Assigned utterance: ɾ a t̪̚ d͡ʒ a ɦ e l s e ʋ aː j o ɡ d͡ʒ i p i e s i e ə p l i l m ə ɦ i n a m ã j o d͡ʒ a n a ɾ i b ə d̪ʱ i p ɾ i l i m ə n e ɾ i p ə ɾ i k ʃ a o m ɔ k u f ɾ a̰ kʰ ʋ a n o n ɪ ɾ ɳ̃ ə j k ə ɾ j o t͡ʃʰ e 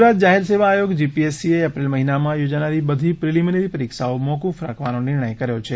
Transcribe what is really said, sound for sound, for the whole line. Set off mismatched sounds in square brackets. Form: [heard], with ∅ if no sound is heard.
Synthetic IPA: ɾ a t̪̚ d͡ʒ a ɦ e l s e ʋ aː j o ɡ d͡ʒ i p i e s i e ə p [ɾ] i l m ə ɦ i n a m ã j o d͡ʒ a n a ɾ i b ə d̪ʱ i p ɾ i l i m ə n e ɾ i p ə ɾ i k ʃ a o m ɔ k u f ɾ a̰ kʰ ʋ a n o n ɪ ɾ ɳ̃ ə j k ə ɾ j o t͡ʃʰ e